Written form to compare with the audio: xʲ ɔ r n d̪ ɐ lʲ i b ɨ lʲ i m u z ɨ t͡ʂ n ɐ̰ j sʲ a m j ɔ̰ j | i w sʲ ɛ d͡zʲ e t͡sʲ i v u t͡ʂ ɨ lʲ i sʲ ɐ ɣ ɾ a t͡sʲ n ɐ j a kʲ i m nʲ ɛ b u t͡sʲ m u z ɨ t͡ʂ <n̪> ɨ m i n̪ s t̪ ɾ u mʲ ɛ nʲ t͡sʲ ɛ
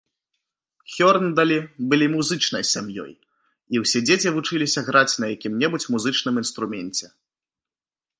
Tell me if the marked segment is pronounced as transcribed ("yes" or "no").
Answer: yes